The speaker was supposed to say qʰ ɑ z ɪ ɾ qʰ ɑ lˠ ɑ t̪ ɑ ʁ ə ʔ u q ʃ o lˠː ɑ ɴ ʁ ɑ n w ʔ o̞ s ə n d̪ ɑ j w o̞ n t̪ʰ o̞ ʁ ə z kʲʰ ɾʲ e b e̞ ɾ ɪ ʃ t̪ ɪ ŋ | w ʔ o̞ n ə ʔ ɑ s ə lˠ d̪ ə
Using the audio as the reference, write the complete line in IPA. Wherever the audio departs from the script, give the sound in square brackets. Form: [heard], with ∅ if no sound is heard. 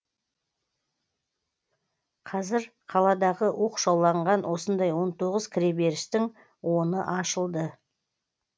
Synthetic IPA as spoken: qʰ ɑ z ɪ ɾ qʰ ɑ lˠ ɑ [d̪] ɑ ʁ ə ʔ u q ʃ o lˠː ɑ ɴ ʁ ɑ n w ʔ o̞ s ə n d̪ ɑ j w o̞ n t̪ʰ o̞ ʁ ə z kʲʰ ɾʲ e b e̞ ɾ ɪ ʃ t̪ ɪ ŋ | w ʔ o̞ n ə ʔ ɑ [ʃ] ə lˠ d̪ ə